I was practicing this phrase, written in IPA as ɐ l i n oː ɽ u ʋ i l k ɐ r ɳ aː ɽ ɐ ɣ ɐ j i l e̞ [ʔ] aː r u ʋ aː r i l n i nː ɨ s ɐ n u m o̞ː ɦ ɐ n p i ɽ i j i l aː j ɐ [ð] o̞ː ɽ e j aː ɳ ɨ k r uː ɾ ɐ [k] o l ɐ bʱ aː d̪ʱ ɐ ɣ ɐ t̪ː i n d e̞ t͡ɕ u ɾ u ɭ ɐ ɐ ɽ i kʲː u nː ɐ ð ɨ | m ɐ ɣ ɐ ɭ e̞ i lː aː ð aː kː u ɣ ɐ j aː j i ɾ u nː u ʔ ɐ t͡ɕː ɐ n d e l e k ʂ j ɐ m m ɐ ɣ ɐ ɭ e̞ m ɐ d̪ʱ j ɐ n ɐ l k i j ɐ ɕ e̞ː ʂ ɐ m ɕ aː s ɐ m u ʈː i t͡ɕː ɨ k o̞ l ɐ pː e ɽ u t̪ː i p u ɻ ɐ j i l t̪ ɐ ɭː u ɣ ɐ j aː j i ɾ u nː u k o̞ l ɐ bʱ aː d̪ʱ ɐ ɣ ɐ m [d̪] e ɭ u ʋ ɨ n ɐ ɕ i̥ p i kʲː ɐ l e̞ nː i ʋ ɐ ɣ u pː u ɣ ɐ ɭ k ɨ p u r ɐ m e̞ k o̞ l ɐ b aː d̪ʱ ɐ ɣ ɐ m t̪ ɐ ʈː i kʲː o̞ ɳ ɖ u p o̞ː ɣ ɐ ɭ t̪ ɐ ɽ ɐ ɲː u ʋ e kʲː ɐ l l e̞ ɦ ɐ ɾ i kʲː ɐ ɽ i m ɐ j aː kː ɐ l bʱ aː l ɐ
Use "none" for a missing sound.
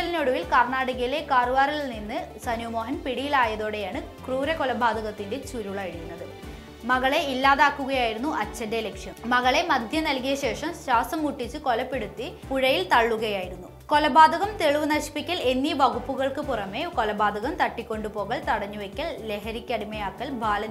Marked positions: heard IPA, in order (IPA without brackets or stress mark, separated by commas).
k, ð, k, t̪